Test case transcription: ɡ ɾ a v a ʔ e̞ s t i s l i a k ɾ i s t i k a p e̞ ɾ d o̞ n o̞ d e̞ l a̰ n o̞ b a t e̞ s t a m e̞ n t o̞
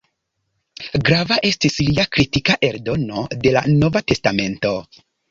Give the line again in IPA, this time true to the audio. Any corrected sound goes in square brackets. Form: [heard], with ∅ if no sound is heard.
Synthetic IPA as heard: ɡ ɾ a v a ʔ e̞ s t i s l i a k ɾ i [∅] t i k a [ʔ] e̞ ɾ d o̞ n o̞ d e̞ l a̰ n o̞ [v] a t e̞ s t a m e̞ n t o̞